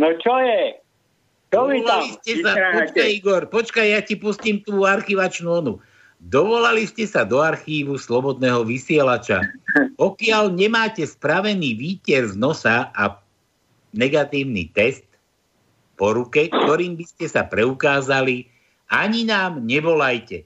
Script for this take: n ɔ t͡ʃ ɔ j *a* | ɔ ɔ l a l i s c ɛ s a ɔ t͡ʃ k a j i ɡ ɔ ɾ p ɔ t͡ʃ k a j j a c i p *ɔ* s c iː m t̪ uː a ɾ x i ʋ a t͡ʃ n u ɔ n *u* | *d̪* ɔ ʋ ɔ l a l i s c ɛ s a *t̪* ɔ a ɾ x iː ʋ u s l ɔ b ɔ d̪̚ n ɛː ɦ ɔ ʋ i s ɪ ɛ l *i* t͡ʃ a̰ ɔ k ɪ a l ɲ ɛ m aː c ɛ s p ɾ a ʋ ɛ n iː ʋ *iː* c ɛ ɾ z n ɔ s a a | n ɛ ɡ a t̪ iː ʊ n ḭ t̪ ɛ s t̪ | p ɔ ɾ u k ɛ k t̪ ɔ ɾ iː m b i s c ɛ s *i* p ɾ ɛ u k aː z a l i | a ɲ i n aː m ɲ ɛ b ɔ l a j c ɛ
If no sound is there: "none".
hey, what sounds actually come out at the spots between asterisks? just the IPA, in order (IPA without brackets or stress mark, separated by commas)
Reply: ɛ, u, u, d̪, d̪, a, iː, a